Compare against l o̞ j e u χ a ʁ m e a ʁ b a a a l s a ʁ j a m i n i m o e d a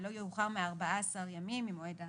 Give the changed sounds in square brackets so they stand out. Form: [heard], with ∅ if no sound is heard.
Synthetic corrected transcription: l o̞ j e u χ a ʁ m e a ʁ b a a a [∅] s a ʁ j a m i [m] i m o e d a